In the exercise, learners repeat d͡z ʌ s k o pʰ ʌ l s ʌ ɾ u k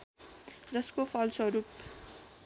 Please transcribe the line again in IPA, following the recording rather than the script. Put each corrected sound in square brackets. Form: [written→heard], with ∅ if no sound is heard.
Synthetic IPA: d͡z ʌ s k o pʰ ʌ l s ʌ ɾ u [k→p]